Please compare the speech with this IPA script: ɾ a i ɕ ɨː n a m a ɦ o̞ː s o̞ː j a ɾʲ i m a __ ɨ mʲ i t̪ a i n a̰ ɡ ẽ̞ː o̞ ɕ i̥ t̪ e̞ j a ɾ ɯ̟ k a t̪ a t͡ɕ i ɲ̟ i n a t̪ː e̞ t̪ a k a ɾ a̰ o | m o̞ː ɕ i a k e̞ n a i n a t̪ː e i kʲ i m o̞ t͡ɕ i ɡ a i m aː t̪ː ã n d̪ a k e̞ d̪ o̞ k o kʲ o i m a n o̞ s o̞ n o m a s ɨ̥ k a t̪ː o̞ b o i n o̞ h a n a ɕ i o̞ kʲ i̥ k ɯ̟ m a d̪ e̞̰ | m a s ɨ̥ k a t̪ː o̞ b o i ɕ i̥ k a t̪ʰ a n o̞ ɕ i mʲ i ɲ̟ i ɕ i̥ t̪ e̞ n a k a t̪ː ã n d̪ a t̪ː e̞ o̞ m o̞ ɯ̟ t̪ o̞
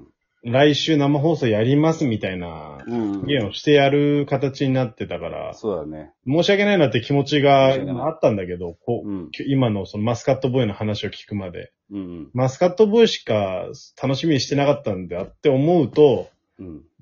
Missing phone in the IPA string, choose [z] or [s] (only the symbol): s